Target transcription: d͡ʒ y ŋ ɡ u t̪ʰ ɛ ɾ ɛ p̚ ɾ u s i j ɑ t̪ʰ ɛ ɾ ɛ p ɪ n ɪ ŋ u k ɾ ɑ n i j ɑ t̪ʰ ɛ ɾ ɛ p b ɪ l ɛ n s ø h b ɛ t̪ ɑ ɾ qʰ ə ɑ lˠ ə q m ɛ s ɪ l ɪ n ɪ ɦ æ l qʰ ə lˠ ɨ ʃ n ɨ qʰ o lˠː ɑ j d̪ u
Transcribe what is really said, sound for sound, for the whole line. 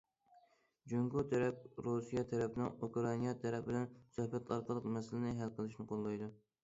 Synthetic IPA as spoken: d͡ʒ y ŋ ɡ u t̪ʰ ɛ ɾ ɛ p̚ ɾ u s i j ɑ t̪ʰ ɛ ɾ ɛ p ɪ n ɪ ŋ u k ɾ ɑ n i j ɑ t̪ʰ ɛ ɾ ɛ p b ɪ l ɛ n s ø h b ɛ t̪ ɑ ɾ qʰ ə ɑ lˠ ə q m ɛ s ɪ l ɪ n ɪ ɦ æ l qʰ ə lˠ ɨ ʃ n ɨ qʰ o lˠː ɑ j d̪ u

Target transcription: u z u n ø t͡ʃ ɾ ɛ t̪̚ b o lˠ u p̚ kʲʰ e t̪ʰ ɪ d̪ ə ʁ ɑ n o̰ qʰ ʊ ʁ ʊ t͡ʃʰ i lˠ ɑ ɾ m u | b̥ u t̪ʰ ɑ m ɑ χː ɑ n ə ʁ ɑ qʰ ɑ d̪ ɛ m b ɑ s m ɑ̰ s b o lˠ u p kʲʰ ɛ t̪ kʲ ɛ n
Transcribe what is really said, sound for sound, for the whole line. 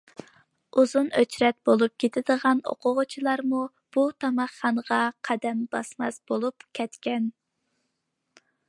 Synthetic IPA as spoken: u z u n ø t͡ʃ ɾ ɛ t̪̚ b o lˠ u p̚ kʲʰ e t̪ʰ ɪ d̪ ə ʁ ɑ n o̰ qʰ ʊ ʁ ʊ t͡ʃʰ i lˠ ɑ ɾ m u | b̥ u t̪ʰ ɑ m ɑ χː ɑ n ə ʁ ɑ qʰ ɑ d̪ ɛ m b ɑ s m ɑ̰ s b o lˠ u p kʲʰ ɛ t̪ kʲ ɛ n

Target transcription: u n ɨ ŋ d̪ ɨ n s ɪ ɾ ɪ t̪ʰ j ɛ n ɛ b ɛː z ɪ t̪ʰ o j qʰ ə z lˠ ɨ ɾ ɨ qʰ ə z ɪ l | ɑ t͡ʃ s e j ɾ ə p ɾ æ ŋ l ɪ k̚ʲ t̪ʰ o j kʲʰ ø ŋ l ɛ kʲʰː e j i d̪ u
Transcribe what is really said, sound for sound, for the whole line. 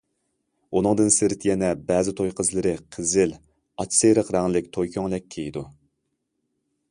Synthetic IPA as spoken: u n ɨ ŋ d̪ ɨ n s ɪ ɾ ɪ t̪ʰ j ɛ n ɛ b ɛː z ɪ t̪ʰ o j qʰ ə z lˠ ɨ ɾ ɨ qʰ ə z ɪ l | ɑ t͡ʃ s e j ɾ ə q ɾ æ ŋ l ɪ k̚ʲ t̪ʰ o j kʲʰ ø ŋ l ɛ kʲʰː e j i d̪ u

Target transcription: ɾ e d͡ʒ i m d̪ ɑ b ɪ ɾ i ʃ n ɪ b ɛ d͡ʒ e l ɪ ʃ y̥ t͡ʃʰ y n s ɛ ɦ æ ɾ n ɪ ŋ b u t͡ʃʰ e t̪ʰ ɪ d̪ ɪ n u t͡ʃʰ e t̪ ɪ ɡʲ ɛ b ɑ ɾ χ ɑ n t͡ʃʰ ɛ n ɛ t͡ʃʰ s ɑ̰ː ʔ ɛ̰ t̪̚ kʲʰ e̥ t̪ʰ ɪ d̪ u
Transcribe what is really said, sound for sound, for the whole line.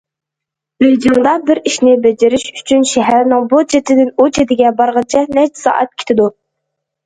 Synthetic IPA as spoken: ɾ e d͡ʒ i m d̪ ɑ b ɪ ɾ i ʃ n ɪ b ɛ d͡ʒ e ɾ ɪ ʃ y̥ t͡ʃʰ y n ʃ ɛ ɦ æ ɾ n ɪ ŋ b u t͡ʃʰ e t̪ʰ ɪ d̪ ɪ n u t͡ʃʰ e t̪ ɪ ɡʲ ɛ b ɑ ɾ ʁ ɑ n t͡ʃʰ ɛ n ɛ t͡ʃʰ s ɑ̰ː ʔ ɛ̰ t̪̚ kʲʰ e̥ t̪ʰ ɪ d̪ u

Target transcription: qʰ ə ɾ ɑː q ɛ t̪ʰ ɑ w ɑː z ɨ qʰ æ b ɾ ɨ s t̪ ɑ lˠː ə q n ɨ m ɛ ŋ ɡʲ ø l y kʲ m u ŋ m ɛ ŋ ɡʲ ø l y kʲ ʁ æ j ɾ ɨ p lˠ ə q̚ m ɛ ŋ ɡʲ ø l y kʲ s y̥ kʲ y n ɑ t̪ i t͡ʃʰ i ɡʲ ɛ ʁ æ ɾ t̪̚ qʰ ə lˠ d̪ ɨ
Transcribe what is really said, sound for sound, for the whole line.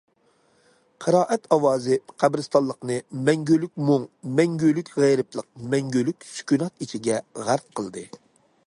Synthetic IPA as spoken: qʰ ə ɾ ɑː ʔ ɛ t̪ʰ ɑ w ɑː z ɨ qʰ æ b ɾ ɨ s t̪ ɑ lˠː ə q n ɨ m ɛ ŋ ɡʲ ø l y kʲ m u ŋ m ɛ ŋ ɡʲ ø l y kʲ ʁ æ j ɾ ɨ p lˠ ə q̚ m ɛ ŋ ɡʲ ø l y kʲ s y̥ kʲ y n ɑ t̪ i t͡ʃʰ i ɡʲ ɛ ʁ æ ɾ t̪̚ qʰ ə lˠ d̪ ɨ

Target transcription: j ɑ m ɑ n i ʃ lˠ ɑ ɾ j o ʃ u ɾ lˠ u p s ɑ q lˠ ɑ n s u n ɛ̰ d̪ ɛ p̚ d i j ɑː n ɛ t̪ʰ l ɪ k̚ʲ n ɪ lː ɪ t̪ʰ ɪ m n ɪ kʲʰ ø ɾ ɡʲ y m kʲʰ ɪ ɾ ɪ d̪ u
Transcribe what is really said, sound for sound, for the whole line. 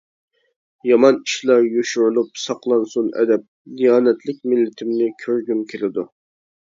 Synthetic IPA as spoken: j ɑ m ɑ n i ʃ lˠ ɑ ɾ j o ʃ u ɾ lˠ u p s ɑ q lˠ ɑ n s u n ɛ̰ d̪ ɛ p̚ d i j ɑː n ɛ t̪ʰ l ɪ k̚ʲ m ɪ lː ɪ t̪ʰ ɪ m n ɪ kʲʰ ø ɾ ɡʲ y m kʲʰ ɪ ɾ ɪ d̪ u

